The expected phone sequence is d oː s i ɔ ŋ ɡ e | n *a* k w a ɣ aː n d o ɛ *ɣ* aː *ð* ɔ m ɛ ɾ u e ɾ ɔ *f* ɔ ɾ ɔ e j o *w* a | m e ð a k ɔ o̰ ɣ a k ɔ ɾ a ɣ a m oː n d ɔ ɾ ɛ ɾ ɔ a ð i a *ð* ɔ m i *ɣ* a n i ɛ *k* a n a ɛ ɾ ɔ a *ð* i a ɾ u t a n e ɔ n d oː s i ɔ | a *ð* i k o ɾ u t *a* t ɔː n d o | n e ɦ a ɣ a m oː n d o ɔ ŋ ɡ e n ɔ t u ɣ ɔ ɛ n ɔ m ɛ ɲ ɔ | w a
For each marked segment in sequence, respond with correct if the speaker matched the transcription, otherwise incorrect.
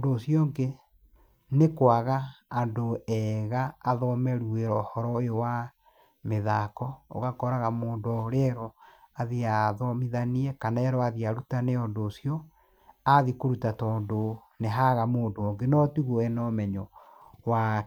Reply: incorrect: e, correct, correct, incorrect: h, correct, correct, incorrect: ð, correct, correct, correct, correct

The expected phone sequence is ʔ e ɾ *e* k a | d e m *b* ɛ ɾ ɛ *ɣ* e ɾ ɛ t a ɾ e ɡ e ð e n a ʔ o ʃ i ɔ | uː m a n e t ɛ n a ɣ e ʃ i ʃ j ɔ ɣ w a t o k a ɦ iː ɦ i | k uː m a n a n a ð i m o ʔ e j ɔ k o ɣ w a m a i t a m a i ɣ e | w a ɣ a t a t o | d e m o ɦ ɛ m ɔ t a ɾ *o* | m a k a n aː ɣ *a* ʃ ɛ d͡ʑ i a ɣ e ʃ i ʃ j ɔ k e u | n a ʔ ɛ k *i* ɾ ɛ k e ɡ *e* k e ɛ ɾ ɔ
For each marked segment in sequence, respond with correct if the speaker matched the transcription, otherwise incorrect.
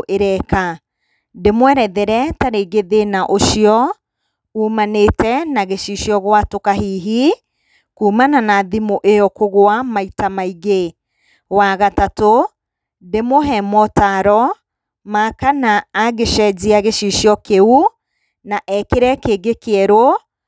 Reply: incorrect: ɛ, incorrect: w, incorrect: ð, incorrect: ɔ, incorrect: e, incorrect: e, correct

